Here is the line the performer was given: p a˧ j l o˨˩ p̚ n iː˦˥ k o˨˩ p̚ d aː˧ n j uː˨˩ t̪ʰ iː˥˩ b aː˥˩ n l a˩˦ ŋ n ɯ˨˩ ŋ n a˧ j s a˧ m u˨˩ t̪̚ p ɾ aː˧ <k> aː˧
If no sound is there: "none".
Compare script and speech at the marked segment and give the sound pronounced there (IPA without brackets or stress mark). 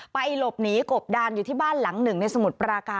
k